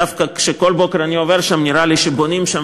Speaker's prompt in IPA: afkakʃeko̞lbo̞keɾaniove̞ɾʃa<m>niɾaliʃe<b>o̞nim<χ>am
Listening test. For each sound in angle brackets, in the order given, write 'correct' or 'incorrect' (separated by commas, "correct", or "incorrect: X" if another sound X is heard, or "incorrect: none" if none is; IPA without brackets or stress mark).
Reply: correct, correct, incorrect: ʃ